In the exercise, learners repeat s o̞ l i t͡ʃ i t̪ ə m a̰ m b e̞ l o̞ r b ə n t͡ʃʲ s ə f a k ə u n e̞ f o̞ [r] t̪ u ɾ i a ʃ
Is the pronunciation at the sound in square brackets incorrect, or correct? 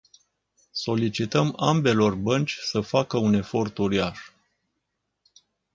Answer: correct